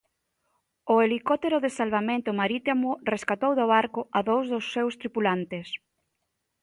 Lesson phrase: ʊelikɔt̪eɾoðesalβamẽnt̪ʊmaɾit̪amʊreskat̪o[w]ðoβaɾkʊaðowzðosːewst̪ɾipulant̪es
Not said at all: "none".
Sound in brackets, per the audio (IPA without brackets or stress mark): w